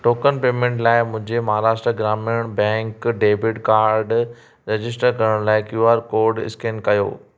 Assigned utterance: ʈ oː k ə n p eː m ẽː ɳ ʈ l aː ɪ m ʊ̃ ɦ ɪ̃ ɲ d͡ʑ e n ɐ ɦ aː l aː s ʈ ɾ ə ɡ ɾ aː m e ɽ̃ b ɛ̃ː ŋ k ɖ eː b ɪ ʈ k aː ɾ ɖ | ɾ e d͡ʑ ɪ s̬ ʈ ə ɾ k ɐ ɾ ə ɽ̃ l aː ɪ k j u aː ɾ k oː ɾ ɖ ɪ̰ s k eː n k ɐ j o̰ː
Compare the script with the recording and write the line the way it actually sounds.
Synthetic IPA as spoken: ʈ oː k ə n p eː m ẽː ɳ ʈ l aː ɪ m ʊ̃ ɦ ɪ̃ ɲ d͡ʑ e m ɐ ɦ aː ɾ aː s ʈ ɾ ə ɡ ɾ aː m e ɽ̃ b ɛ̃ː ŋ k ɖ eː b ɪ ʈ k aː ɾ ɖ | ɾ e d͡ʑ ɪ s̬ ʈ ə ɾ k ɐ ɾ ə ɽ̃ l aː ɪ k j u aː ɾ k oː ɾ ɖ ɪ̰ s k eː n k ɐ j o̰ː